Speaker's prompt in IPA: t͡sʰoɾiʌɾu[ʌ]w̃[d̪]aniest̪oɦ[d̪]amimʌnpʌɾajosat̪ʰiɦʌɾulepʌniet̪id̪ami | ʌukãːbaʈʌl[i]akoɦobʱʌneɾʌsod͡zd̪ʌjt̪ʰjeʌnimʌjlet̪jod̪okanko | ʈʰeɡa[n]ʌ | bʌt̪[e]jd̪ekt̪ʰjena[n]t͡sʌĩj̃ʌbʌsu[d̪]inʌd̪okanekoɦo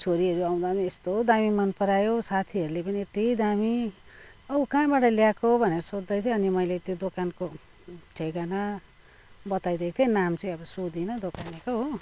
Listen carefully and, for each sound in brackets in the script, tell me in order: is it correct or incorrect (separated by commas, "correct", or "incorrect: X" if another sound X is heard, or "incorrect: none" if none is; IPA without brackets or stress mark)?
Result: incorrect: a, correct, correct, incorrect: j, correct, incorrect: a, incorrect: m, correct